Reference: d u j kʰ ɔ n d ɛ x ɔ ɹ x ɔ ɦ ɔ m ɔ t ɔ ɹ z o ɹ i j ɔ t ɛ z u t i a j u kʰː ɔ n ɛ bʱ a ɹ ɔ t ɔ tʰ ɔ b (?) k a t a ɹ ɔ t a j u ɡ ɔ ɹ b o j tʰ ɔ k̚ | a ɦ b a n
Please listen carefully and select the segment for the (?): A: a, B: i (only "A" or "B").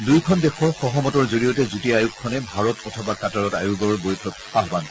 A